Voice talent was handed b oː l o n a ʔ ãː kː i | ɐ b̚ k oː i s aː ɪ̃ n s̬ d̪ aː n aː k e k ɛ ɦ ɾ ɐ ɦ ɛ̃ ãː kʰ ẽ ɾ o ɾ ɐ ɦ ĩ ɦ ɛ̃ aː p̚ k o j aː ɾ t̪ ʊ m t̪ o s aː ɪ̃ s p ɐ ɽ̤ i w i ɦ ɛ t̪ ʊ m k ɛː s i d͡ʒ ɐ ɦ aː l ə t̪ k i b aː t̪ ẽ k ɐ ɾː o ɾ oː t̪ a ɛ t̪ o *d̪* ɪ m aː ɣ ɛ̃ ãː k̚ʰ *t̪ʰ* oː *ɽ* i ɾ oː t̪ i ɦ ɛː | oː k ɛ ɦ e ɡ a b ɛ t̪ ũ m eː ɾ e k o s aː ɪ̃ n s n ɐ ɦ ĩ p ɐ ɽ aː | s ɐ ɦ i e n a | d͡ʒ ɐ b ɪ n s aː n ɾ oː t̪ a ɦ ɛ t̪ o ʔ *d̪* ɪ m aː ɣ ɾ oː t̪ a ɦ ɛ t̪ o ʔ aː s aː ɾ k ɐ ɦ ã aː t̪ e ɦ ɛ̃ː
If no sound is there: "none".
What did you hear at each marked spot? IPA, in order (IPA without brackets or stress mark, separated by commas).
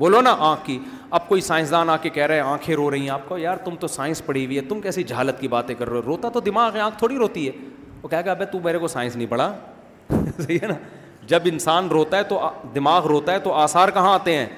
d̪, t̪ʰ, ɽ, d̪